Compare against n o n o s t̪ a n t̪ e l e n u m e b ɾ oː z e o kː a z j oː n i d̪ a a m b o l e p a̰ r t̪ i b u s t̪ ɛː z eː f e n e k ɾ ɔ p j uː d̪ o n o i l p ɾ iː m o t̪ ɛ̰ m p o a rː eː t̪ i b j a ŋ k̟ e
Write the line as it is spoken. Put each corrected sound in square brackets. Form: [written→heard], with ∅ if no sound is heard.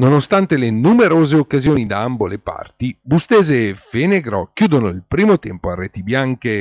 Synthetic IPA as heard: n o n o s t̪ a n t̪ e l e n u m e [b→∅] ɾ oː z e o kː a z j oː n i d̪ a a m b o l e p a̰ r t̪ i b u s t̪ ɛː z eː f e n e [k→ɡ] ɾ ɔ [p→k] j uː d̪ o n o i l p ɾ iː m o t̪ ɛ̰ m p o a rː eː t̪ i b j a ŋ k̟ e